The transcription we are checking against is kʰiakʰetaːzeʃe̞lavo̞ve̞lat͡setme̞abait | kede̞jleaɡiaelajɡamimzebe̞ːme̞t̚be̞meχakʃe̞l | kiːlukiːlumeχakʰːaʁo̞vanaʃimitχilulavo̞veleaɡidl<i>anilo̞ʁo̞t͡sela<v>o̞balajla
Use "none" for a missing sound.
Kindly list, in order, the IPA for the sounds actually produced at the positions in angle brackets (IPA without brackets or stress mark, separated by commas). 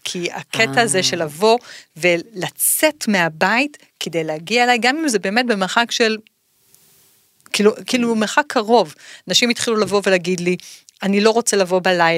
i, v